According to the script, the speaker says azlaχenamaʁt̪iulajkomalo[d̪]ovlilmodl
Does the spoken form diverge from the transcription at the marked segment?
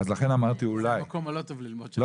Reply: yes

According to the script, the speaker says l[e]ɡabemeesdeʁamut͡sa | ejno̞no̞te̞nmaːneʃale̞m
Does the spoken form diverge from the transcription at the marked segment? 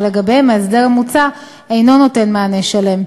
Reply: no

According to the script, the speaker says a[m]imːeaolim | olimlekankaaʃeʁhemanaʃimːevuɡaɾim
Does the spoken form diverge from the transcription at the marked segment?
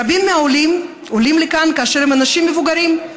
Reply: yes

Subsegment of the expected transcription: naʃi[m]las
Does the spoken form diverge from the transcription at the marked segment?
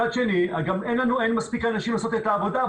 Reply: no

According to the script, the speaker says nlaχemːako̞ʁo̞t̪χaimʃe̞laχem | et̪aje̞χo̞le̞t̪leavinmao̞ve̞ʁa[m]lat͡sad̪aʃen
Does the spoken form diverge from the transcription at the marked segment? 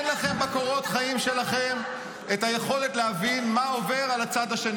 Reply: yes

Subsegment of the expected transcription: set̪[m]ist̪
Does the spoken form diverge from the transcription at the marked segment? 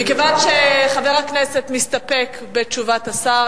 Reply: no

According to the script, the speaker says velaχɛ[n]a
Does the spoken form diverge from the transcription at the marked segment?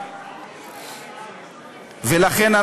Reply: no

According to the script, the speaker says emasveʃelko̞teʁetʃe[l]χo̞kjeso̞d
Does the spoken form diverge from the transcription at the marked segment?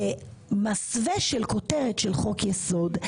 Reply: no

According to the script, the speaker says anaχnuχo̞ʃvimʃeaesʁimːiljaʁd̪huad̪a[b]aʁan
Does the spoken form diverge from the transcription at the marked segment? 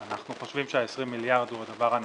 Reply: yes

